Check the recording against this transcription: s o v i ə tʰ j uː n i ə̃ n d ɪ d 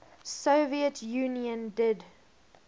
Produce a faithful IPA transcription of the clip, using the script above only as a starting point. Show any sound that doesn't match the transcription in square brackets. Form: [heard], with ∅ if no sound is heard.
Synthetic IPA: s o v i ə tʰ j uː n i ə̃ n d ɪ d